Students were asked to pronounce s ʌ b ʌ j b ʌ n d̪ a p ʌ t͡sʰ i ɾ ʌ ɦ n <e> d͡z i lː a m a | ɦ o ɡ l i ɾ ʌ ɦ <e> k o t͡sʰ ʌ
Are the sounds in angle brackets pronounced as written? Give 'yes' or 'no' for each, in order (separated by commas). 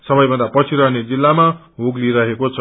yes, yes